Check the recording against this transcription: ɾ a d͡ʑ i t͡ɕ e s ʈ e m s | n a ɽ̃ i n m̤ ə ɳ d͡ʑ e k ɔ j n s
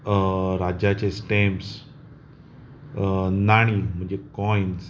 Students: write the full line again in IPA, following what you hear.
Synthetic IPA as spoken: ɾ a d͡ʑ a t͡ɕ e s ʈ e m s | n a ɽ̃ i m̤ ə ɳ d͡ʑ e k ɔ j n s